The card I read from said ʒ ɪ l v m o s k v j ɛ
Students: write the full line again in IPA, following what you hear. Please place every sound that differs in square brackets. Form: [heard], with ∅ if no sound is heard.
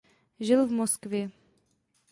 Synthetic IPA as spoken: ʒ ɪ l v m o s k v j ɛ